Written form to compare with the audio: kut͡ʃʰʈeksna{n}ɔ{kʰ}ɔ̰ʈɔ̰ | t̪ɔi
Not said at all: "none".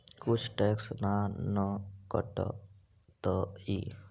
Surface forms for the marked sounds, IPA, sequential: n, k

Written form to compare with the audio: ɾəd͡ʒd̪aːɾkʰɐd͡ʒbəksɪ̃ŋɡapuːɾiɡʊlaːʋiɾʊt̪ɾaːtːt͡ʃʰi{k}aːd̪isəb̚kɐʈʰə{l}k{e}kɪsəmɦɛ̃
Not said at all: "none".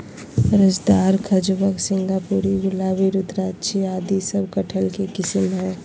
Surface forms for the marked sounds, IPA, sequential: none, l, e

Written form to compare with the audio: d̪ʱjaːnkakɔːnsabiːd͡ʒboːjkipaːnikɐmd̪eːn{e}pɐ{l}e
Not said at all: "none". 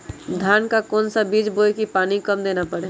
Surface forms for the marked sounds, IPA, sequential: a, ɽ

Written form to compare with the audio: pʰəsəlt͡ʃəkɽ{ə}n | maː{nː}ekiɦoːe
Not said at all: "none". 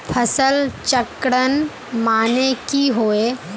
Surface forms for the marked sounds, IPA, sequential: ə, n

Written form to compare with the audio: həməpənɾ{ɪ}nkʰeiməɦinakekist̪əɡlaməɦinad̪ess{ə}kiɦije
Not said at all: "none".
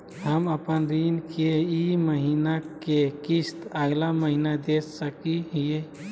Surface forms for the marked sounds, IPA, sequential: i, ə

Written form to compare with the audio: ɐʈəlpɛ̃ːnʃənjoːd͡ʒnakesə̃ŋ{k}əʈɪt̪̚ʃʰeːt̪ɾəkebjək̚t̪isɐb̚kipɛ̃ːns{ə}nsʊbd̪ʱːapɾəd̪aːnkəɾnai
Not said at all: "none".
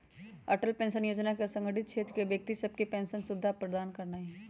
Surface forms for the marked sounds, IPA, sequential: ɡ, ə

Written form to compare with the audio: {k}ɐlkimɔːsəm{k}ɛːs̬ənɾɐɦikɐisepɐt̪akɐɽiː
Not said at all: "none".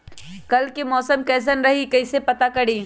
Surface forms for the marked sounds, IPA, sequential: k, k

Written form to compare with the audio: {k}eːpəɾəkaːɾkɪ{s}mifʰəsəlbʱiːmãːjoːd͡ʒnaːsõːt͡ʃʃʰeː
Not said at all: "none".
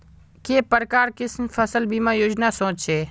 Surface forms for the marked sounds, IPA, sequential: k, s

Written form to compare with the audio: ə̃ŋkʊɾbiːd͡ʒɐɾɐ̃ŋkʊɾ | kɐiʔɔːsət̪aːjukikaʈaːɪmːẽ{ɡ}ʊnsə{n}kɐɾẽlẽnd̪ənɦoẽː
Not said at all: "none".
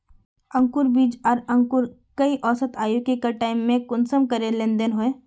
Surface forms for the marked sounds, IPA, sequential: k, m

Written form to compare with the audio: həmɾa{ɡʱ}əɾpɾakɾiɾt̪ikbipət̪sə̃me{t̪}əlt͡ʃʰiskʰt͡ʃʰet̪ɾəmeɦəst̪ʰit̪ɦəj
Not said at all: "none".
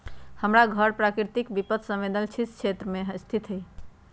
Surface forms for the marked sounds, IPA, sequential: ɡʱ, d̪

